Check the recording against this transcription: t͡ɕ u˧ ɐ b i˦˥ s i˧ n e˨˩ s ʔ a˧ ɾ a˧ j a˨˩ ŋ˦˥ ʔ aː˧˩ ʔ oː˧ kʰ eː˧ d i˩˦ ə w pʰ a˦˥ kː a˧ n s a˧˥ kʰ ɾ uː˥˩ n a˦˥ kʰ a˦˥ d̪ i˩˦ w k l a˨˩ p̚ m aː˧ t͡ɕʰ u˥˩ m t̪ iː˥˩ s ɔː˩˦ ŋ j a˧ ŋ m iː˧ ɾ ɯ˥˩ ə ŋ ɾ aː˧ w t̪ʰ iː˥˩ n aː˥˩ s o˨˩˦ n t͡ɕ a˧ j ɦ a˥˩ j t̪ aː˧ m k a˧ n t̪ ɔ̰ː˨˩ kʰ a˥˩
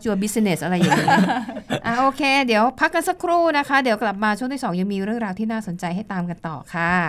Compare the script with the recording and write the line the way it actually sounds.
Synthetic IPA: t͡ɕ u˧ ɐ b i˦˥ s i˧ n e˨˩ s ʔ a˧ ɾ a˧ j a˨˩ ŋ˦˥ ʔ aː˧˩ ʔ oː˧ kʰ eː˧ d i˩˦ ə w pʰ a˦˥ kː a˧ n s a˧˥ kʰ ɾ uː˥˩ n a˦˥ kʰ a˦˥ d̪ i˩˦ w k l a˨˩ p̚ m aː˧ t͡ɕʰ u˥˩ ŋ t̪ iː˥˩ s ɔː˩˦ ŋ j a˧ ŋ m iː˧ ɾ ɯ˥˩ ə ŋ ɾ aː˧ w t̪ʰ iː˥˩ n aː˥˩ s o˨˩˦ n t͡ɕ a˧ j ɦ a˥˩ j t̪ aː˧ m k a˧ n t̪ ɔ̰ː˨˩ kʰ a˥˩